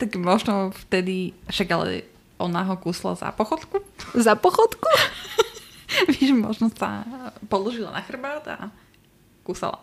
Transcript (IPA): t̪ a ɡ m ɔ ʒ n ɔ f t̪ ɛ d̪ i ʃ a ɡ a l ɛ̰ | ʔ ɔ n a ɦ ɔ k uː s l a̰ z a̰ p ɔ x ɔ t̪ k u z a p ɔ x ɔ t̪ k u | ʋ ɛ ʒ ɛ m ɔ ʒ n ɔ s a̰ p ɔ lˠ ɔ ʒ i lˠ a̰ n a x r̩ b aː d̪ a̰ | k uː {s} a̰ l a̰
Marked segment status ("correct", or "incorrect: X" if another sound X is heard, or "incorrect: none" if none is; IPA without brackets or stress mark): correct